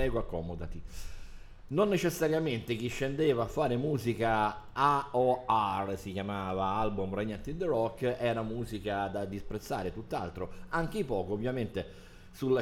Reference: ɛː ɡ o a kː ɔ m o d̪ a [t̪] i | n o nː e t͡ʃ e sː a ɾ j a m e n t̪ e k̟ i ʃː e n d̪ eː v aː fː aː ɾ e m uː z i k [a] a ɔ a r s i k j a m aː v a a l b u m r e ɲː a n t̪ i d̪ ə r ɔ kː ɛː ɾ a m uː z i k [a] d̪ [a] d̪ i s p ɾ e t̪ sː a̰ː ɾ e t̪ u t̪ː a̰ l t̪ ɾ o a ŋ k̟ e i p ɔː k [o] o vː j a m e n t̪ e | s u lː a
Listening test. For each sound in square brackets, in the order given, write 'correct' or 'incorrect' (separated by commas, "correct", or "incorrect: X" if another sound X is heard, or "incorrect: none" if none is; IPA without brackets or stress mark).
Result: correct, correct, correct, correct, correct